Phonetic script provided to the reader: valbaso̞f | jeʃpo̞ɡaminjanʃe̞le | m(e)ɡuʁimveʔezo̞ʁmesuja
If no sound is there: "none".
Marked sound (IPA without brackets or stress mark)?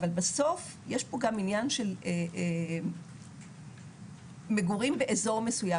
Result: e